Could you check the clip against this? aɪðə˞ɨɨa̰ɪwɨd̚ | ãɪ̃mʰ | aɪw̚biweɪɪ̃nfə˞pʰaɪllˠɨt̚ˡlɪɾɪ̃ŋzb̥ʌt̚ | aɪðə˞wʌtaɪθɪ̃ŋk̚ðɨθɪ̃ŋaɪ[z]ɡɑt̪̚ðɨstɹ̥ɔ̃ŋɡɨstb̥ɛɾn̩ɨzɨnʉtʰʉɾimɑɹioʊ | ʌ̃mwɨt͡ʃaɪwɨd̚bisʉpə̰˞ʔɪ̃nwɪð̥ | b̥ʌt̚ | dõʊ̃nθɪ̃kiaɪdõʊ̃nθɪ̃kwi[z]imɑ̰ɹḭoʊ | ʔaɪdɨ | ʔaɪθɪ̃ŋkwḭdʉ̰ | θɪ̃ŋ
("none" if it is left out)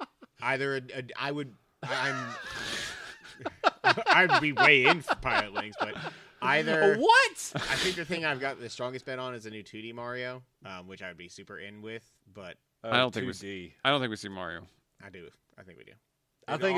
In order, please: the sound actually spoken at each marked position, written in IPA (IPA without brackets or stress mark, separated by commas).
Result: v, s